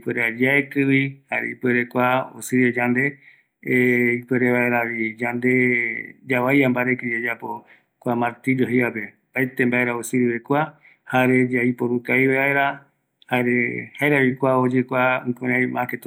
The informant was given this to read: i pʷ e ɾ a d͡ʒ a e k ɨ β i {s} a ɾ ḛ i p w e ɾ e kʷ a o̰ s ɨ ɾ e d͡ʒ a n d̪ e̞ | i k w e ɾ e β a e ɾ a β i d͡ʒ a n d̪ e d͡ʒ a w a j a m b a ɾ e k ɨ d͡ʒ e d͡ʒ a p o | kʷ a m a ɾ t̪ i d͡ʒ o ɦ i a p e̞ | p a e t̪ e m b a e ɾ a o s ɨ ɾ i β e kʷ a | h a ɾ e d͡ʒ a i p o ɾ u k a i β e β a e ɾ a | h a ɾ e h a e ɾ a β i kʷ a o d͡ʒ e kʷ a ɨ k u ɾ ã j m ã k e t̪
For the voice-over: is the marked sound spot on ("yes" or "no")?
no